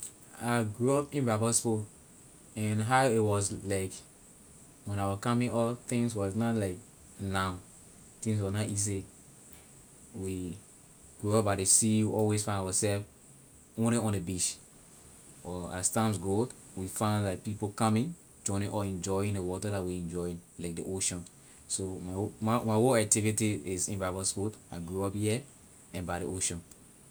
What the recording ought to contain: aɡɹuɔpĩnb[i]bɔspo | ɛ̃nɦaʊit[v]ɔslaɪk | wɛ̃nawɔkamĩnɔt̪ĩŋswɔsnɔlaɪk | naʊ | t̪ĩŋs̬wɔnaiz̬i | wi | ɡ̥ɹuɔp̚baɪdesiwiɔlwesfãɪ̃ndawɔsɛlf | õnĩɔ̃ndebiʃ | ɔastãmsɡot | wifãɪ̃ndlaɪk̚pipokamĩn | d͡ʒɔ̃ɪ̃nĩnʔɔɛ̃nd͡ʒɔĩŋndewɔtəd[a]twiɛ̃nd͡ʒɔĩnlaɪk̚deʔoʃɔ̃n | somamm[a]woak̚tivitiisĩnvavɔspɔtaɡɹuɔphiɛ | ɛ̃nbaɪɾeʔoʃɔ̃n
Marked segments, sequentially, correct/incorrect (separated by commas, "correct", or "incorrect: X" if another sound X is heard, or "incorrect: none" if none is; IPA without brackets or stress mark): incorrect: a, incorrect: w, correct, correct